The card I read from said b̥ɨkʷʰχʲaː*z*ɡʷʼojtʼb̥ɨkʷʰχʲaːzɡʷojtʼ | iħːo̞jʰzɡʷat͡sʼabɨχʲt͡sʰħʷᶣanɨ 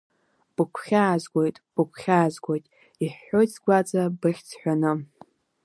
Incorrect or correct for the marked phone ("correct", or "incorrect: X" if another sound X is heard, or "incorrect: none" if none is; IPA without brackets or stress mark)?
correct